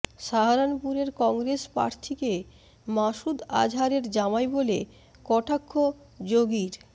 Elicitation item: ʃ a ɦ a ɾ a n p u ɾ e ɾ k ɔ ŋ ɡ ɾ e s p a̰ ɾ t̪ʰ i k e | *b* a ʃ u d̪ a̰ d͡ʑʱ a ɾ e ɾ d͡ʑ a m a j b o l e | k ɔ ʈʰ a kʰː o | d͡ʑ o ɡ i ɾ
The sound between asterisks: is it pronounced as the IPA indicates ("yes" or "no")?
no